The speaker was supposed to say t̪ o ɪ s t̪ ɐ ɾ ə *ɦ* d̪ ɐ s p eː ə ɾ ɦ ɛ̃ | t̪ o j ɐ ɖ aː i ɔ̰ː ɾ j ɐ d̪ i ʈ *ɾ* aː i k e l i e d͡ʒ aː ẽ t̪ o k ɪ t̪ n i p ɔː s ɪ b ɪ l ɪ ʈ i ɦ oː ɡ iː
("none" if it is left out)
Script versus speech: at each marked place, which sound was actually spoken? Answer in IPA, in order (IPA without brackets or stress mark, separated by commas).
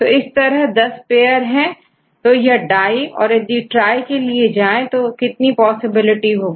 ɦ, ɾ